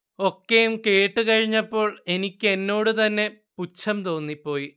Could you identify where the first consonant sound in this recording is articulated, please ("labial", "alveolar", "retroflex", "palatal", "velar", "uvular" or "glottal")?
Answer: velar